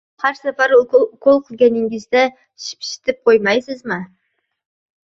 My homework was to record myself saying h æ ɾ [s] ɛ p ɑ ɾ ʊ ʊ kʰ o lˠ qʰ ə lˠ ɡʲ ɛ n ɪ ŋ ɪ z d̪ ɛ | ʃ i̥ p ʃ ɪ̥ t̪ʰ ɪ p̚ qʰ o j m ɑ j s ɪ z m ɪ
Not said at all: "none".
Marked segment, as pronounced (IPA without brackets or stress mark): s